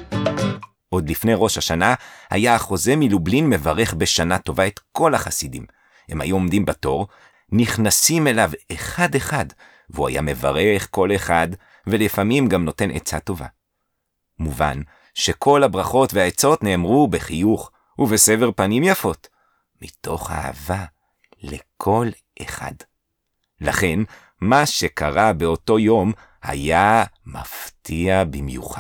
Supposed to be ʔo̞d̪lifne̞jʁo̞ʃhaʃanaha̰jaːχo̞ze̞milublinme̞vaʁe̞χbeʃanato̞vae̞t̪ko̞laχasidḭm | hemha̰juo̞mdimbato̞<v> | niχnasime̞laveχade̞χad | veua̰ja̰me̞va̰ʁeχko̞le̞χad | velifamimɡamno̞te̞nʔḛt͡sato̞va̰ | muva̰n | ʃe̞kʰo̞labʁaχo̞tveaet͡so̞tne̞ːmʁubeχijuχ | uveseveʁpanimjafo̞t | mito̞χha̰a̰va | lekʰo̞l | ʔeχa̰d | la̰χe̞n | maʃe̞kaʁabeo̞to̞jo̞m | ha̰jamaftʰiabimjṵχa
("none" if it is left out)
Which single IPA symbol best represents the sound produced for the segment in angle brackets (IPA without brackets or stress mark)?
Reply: ʁ